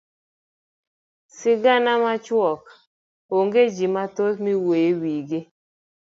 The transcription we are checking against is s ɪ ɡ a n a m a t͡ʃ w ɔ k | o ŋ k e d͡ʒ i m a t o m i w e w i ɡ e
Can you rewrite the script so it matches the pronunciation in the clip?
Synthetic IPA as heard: s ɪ ɡ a n a m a t͡ʃ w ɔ k | o ŋ ɡ e d͡ʒ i m a t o m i w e w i ɡ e